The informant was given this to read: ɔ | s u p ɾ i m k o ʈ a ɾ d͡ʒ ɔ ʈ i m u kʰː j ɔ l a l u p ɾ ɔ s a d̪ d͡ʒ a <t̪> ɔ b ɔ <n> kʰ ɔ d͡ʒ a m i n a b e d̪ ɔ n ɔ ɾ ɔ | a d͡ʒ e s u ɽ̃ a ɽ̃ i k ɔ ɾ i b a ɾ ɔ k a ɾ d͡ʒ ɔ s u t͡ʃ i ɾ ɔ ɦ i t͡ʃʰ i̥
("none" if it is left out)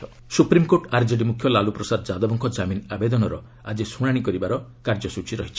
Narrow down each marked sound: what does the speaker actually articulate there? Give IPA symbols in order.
d̪, ŋ

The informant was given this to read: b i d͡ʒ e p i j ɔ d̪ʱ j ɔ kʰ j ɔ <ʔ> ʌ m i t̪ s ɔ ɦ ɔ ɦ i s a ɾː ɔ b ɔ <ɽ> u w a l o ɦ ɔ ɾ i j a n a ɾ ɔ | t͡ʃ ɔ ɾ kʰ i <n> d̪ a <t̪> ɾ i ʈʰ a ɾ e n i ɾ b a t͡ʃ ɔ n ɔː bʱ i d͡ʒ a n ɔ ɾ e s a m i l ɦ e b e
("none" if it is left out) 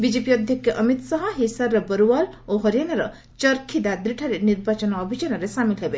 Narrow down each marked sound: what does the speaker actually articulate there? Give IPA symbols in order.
ʔ, ɾ, none, d̪

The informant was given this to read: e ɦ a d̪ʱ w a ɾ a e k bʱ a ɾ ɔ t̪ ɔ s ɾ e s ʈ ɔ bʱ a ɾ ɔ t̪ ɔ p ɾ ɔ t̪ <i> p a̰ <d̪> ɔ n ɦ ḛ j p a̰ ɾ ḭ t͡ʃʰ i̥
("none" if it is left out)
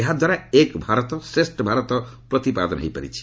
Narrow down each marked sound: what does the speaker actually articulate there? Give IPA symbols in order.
i, d̪

